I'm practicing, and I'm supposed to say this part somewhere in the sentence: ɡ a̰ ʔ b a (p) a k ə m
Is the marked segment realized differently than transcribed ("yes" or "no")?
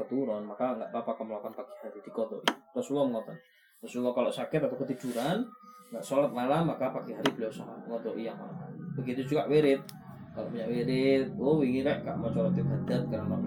no